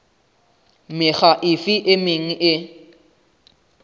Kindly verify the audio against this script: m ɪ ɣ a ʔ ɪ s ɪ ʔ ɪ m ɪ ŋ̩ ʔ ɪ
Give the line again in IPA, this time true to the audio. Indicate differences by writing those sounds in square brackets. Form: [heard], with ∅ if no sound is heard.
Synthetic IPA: m ɪ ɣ a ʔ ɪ [f] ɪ ʔ ɪ m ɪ ŋ̩ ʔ ɪ